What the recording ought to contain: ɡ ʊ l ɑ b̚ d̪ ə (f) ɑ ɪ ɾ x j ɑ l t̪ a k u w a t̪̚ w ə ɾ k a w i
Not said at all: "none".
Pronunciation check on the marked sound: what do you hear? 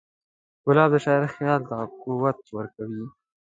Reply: ʃ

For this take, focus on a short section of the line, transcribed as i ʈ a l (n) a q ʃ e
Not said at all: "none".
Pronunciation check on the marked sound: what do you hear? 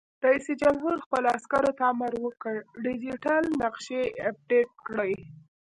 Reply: n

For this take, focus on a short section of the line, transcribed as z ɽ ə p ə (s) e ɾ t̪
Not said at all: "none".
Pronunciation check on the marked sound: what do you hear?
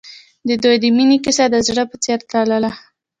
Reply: t͡s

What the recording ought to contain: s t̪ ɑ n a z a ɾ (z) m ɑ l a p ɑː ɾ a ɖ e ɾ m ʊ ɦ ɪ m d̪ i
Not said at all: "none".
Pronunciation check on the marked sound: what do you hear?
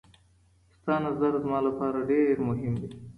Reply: z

